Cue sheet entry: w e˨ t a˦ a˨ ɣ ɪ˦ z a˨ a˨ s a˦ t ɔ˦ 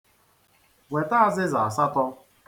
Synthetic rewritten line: w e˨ t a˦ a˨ z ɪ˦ z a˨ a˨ s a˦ t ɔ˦